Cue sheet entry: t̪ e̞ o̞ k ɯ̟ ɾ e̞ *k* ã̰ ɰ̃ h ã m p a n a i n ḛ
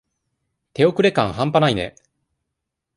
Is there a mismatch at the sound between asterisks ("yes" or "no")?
no